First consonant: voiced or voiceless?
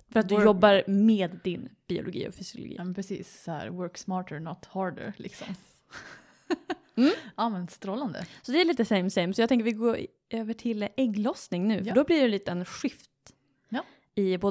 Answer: voiceless